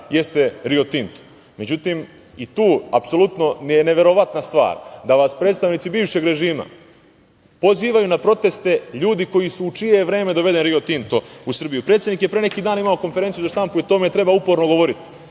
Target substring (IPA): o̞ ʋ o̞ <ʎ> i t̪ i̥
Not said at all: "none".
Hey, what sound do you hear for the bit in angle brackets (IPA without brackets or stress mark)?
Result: ɾ